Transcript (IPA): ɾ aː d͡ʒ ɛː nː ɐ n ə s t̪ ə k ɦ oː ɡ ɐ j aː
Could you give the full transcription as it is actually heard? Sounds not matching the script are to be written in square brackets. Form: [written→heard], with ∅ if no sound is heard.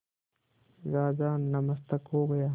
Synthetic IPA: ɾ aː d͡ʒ [ɛː→aː] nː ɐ [n→m] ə s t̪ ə k ɦ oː ɡ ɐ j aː